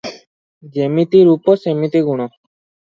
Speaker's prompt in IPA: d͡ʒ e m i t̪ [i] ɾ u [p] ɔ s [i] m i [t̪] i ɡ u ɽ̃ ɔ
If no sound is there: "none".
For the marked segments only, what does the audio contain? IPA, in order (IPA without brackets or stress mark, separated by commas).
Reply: i, p, e, t̪